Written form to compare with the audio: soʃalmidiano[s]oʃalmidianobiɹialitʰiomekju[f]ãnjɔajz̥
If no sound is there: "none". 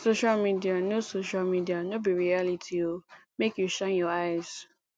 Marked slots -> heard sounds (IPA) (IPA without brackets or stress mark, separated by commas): s, ʃ